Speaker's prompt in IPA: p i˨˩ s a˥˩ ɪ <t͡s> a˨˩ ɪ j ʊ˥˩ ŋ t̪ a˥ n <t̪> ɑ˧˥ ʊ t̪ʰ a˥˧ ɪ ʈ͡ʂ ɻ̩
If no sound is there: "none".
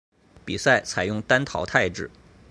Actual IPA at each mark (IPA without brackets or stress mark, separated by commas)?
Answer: t͡sʰ, t̪ʰ